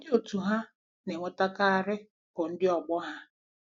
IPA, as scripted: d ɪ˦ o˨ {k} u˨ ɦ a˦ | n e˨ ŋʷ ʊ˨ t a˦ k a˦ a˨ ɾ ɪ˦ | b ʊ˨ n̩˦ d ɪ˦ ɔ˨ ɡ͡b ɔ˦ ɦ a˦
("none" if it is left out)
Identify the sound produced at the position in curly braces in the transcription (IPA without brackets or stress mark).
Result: t